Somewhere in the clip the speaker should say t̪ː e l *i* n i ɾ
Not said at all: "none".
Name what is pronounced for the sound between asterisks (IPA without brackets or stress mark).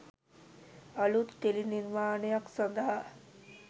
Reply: i